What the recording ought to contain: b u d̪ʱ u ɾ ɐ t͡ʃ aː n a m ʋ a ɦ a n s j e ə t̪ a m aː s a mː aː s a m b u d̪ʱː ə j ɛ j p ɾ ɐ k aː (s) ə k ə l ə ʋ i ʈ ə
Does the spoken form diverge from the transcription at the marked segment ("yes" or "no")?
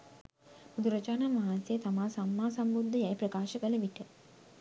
yes